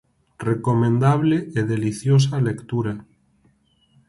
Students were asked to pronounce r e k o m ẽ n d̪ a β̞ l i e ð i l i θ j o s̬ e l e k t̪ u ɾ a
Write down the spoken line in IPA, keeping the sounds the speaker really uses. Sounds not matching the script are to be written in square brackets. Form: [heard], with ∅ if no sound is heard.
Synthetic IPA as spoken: r e k o m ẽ n d̪ a β̞ l [e] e ð [e] l i θ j o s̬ [a] l e k t̪ u ɾ a